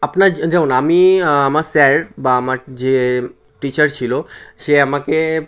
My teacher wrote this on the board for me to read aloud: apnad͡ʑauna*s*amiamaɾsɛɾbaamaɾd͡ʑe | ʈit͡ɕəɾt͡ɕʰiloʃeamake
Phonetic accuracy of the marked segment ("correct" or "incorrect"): incorrect